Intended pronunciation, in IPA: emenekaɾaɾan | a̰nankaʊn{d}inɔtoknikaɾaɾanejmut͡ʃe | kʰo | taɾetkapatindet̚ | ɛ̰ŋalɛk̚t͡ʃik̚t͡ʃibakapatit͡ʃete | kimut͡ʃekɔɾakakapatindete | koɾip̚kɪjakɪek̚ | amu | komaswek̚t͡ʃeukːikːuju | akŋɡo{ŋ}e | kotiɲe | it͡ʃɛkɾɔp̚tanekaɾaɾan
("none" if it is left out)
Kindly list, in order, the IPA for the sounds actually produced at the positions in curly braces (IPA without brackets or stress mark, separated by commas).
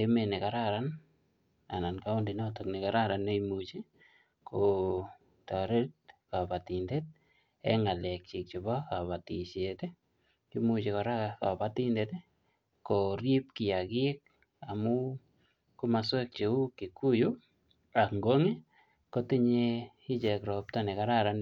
d, ŋ